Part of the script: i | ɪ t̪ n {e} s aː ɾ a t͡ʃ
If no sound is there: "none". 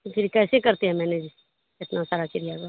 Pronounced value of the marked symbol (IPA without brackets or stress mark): a